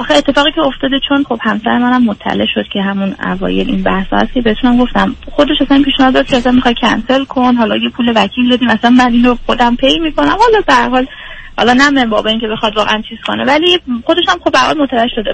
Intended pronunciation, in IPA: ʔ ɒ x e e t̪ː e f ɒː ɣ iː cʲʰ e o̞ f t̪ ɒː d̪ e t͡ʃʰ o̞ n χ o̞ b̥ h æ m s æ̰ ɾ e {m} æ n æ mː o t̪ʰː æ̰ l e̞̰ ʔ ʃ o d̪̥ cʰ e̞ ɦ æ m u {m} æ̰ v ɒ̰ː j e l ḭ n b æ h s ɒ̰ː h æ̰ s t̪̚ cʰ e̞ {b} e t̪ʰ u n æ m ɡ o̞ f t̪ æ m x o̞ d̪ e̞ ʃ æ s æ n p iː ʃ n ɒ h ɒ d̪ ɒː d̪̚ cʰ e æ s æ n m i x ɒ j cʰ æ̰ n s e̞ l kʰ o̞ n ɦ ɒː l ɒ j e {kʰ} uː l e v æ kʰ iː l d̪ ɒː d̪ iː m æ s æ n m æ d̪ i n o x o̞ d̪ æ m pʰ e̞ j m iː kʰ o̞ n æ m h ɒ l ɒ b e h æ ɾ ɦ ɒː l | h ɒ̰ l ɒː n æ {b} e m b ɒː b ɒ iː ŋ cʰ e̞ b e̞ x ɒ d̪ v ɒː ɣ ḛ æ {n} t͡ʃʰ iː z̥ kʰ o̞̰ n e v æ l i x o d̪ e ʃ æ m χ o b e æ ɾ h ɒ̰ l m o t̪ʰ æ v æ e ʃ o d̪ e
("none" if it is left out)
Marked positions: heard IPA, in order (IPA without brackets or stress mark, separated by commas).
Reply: m, n, b, pʰ, m, n